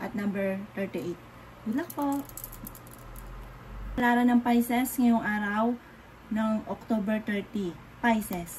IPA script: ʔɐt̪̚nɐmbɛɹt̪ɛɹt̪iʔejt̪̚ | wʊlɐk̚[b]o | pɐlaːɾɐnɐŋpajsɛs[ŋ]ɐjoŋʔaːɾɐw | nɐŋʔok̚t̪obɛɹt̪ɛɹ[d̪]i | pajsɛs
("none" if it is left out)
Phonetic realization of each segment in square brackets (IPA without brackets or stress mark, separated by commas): p, ŋ, t̪